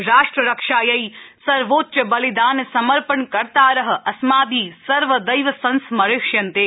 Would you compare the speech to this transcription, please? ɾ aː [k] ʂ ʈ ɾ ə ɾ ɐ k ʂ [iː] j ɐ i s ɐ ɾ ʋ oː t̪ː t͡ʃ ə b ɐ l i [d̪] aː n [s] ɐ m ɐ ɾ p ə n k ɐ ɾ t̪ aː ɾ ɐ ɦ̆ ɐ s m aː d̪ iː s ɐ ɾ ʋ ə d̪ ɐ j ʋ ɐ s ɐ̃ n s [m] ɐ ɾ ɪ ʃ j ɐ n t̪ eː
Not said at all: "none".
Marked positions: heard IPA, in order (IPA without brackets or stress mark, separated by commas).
none, aː, d̪, s, m